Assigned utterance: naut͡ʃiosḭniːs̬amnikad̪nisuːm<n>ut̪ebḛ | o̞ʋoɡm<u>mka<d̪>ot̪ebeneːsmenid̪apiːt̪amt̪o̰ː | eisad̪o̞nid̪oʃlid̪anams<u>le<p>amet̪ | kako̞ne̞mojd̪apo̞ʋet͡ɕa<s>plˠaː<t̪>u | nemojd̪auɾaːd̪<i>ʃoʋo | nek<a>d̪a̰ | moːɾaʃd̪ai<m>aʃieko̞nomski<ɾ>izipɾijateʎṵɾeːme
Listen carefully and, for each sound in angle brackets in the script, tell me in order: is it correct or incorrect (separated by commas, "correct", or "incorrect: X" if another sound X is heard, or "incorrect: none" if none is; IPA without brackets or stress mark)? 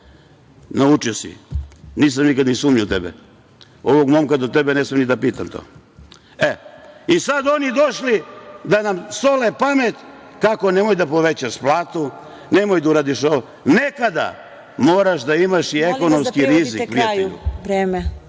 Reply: incorrect: ɲ, incorrect: o, correct, incorrect: o, correct, incorrect: ʃ, correct, correct, correct, correct, correct